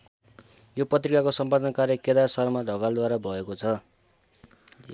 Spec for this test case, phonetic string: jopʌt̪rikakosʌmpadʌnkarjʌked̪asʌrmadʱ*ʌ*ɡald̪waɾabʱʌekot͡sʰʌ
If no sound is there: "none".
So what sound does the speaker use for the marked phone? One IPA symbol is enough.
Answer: ʌ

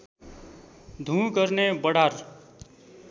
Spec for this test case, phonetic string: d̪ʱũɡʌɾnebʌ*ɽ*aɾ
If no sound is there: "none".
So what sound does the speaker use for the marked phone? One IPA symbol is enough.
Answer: ɽ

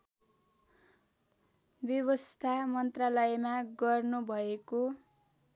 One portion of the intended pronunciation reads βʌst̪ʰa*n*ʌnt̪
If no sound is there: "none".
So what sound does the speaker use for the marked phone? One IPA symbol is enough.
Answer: m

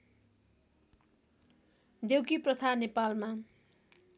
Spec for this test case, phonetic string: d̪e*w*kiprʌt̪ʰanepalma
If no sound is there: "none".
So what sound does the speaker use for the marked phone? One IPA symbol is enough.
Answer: w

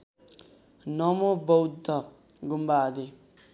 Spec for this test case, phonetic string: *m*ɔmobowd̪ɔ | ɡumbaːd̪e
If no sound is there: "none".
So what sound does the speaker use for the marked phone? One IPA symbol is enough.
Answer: n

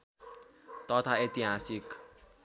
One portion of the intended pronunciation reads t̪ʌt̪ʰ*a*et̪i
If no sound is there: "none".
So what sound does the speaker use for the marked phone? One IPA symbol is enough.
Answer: a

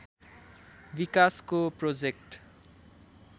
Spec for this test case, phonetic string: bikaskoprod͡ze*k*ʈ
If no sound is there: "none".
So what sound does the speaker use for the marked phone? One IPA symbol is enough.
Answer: k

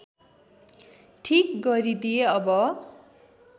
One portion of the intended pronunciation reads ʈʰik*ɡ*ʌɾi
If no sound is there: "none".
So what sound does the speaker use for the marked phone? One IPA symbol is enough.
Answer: ɡ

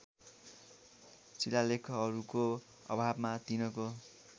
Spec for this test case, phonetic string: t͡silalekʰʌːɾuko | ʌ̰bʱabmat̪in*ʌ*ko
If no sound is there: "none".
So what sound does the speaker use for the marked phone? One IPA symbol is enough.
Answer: ʌ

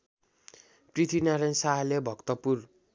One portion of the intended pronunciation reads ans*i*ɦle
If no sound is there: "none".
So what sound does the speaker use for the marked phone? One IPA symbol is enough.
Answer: a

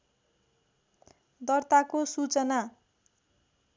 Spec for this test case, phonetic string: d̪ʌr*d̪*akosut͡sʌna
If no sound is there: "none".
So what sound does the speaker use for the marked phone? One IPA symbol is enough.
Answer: t̪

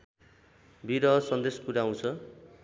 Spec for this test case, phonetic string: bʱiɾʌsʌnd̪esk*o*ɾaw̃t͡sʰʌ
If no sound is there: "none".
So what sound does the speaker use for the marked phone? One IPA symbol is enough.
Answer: u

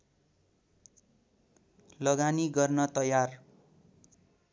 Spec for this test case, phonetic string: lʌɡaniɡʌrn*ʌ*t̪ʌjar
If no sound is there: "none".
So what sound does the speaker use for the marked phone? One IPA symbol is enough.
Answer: ʌ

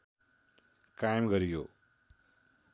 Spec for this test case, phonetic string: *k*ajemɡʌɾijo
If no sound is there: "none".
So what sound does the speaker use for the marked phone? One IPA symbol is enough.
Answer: k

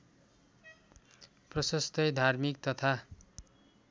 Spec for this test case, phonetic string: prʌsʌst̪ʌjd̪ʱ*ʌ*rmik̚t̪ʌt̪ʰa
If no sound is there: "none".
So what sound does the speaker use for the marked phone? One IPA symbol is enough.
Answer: a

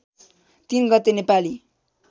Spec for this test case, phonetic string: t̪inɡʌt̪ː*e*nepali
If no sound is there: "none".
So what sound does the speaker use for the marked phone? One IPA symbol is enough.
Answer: e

